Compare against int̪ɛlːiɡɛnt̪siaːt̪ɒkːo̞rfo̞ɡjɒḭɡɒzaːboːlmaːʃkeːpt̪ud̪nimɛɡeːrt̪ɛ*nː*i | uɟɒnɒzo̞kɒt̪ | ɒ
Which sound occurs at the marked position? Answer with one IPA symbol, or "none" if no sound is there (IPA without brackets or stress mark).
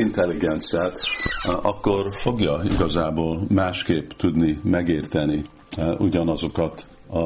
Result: n